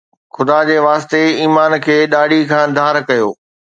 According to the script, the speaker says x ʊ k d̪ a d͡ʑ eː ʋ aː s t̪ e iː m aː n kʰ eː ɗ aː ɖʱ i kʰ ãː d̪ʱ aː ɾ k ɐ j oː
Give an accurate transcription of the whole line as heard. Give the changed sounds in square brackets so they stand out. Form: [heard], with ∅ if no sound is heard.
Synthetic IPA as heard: x ʊ [∅] d̪ a d͡ʑ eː ʋ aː s t̪ e iː m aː n kʰ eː ɗ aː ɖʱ i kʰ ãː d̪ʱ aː ɾ k ɐ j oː